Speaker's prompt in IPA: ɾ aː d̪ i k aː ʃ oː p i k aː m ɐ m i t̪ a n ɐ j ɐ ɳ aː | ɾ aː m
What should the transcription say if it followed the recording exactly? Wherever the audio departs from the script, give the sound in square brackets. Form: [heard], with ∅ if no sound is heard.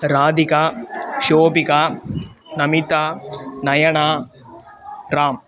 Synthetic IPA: ɾ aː d̪ i k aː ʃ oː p i k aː [n] ɐ m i t̪ a n ɐ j ɐ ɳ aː | ɾ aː m